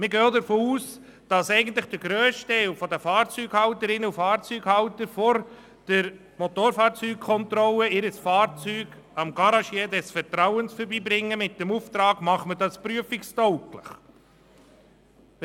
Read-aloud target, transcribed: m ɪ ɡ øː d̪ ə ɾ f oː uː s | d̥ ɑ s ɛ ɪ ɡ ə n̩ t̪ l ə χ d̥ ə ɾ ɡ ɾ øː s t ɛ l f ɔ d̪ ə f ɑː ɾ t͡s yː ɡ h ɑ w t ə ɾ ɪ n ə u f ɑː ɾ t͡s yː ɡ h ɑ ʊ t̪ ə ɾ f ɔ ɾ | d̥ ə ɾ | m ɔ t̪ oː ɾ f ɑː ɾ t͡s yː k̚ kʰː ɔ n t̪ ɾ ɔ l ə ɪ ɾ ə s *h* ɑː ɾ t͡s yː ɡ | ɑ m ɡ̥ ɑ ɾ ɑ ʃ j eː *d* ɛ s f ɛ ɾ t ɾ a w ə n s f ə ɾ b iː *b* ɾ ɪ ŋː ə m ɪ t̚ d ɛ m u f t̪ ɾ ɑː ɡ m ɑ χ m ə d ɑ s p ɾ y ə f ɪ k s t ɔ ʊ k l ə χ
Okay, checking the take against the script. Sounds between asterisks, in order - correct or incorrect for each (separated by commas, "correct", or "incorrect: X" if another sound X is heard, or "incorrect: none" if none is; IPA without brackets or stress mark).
incorrect: f, correct, correct